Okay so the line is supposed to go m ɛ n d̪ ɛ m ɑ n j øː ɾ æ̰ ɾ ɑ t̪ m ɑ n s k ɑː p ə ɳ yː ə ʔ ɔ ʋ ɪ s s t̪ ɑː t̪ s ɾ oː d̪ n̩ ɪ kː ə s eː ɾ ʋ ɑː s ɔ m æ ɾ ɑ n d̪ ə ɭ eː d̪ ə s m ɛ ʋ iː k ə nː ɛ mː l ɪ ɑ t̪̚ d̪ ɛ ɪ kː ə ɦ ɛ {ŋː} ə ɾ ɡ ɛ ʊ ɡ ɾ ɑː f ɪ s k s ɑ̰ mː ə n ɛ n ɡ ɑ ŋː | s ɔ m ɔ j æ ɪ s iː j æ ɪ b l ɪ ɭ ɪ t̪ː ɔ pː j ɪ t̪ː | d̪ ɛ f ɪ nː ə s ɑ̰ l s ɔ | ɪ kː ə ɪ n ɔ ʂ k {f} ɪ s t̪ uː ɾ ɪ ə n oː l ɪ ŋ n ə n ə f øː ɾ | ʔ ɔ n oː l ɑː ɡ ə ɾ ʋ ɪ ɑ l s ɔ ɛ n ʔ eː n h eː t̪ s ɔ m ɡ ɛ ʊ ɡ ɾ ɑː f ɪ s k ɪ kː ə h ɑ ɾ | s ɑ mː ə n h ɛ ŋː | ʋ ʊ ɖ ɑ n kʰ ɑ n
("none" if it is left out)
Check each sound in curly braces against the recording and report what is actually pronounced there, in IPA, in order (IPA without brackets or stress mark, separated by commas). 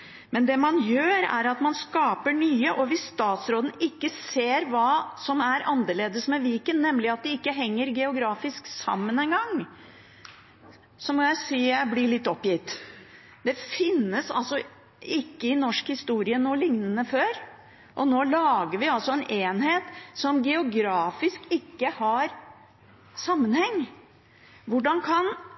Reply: ŋː, h